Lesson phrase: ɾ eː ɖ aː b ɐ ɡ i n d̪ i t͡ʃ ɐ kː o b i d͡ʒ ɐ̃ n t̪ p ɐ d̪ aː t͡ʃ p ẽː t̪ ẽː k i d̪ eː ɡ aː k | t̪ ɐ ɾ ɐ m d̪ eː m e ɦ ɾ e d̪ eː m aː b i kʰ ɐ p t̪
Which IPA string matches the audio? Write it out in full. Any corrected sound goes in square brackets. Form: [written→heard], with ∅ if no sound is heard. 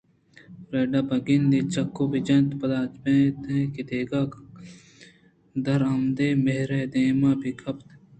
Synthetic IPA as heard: ɾ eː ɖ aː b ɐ ɡ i n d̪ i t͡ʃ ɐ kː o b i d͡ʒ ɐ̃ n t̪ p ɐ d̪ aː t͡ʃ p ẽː t̪ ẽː k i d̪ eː ɡ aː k | [t̪→d̪] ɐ ɾ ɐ m d̪ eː m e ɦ ɾ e d̪ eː m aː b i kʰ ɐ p t̪